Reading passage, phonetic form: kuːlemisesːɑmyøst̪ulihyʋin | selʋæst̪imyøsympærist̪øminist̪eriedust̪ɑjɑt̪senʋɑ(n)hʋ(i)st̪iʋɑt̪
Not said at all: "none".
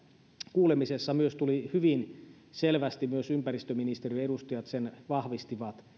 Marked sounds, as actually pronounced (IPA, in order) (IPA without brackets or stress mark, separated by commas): none, i